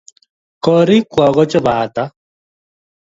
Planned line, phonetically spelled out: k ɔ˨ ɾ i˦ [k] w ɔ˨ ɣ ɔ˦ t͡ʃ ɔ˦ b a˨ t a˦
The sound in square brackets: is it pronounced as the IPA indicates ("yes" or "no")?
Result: yes